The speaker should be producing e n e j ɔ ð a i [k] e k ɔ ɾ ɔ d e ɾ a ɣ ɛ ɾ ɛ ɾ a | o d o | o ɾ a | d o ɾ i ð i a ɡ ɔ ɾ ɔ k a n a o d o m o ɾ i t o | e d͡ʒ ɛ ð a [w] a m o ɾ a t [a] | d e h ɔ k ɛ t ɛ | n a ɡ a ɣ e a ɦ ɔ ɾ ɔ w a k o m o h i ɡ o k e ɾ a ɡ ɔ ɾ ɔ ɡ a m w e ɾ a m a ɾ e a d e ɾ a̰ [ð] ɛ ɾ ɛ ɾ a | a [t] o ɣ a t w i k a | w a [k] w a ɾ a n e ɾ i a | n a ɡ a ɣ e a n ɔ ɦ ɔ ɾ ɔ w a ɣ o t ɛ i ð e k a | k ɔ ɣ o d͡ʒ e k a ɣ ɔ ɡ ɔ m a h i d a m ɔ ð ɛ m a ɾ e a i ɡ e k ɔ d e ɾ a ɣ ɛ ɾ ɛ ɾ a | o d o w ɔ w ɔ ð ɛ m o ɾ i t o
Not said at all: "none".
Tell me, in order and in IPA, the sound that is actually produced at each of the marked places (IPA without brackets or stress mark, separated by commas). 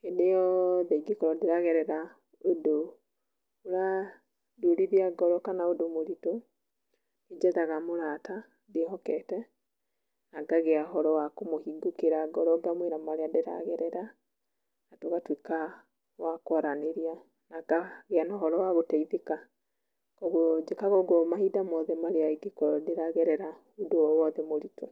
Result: ɡ, ɣ, a, ɣ, t, k